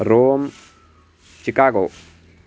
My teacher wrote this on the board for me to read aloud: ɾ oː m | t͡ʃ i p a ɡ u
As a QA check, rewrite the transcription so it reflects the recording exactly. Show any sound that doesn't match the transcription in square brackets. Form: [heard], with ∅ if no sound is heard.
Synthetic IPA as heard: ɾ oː m | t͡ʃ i [k] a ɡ [o]